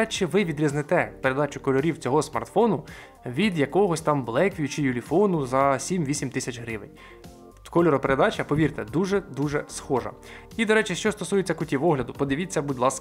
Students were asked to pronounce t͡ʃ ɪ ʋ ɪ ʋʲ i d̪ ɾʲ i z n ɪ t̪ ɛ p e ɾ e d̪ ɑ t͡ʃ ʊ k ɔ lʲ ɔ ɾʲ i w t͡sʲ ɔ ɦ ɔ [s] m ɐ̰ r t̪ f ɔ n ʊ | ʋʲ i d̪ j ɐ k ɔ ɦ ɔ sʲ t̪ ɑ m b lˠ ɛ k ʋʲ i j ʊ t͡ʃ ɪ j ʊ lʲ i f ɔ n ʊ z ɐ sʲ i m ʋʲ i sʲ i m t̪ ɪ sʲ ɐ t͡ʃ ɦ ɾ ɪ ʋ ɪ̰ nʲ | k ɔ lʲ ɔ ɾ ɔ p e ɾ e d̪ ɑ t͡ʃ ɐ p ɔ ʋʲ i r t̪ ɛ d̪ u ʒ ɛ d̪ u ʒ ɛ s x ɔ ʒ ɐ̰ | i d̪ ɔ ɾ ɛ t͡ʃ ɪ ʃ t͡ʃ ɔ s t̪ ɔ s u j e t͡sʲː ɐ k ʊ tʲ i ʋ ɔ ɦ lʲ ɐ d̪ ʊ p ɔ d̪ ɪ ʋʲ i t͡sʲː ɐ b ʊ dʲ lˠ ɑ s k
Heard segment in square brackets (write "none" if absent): s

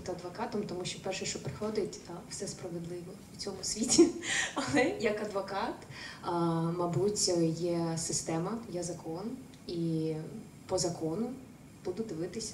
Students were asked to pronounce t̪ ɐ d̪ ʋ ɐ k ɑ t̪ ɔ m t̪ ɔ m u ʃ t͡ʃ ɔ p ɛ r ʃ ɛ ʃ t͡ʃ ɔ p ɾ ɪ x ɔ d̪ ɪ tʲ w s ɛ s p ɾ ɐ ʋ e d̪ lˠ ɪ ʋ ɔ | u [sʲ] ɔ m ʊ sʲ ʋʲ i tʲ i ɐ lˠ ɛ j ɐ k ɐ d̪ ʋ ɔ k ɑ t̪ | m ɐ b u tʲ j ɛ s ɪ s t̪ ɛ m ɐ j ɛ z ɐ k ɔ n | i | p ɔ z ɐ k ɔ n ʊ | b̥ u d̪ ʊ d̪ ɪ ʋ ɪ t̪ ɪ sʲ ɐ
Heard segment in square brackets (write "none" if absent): t͡sʲ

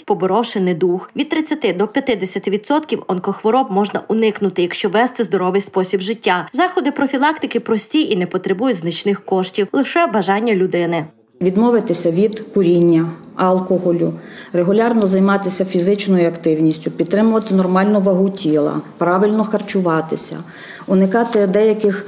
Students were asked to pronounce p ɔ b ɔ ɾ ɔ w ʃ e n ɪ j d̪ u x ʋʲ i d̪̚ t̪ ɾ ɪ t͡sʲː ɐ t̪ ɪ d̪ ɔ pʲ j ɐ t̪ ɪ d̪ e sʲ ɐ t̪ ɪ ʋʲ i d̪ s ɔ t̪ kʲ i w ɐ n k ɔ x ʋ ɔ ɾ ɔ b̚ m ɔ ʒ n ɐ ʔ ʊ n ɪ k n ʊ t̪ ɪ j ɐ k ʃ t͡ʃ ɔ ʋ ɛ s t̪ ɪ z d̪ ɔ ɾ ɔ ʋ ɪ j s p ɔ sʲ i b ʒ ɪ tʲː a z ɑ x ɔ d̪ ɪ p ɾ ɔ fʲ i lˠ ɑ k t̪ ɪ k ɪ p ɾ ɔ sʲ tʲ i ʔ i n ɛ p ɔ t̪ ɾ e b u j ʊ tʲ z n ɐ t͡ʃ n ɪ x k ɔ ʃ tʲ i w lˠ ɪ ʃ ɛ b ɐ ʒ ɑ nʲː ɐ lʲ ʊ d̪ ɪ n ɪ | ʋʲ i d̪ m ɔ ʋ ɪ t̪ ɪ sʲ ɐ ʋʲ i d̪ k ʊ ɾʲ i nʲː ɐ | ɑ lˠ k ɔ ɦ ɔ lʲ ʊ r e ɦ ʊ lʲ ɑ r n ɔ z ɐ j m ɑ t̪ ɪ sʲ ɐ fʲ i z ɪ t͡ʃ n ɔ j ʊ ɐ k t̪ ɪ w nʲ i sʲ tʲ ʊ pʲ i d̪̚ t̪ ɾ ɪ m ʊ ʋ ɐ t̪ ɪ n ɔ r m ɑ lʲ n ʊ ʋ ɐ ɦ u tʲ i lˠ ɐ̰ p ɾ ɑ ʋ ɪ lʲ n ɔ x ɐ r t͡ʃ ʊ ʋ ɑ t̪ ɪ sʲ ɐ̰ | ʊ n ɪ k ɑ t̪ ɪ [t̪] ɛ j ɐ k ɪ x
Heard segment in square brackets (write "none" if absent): d̪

